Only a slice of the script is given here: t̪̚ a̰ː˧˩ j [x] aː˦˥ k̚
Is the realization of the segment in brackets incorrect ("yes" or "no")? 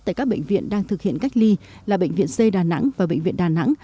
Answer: yes